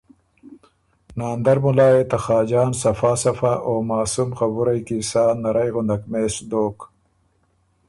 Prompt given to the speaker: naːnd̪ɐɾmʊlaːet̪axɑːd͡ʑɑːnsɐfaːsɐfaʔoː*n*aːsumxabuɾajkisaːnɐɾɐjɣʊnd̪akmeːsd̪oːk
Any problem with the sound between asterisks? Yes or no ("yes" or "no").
yes